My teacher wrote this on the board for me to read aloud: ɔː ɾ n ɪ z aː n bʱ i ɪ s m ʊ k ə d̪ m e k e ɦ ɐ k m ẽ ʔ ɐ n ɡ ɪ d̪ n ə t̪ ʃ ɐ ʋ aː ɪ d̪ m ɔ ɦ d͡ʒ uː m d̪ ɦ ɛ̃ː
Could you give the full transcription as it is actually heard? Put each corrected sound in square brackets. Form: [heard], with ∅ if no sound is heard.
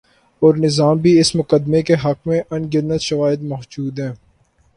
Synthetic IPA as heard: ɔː ɾ n ɪ z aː [m] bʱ i ɪ s m ʊ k ə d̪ m e k e ɦ ɐ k m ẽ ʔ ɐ n ɡ ɪ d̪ n ə t̪ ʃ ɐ ʋ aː ɪ d̪ m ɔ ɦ d͡ʒ uː [∅] d̪ ɦ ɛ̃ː